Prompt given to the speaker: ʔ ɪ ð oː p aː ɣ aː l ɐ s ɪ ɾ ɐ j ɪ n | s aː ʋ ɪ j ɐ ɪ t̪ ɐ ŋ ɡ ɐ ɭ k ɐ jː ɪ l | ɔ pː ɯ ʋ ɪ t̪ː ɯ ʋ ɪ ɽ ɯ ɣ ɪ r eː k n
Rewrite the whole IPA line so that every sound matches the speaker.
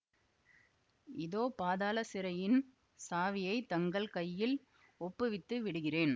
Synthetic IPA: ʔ ɪ ð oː p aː ð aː l ɐ s ɪ ɾ ɐ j ɪ n | s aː ʋ ɪ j ɐ ɪ t̪ ɐ ŋ ɡ ɐ ɭ k ɐ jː ɪ l | ɔ pː ɯ ʋ ɪ t̪ː ɯ ʋ ɪ ɽ ɯ ɣ ɪ r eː n

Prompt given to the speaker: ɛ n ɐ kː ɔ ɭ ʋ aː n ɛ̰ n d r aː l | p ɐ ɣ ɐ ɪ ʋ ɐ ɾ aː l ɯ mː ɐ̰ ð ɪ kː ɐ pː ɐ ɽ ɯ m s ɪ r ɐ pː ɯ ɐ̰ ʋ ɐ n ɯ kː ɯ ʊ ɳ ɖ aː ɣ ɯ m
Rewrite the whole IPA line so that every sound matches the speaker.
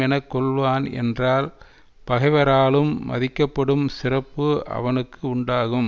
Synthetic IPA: ɛ n ɐ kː ɔ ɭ ʋ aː n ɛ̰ n d r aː l | p ɐ ɣ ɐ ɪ ʋ ɐ ɾ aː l ɯ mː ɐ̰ ð ɪ kː ɐ pː ɐ ɽ ɯ m s ɪ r ɐ pː ɯ ɐ̰ ʋ ɐ n ɯ kː ɯ ʊ ɳ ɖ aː ɣ ɯ m

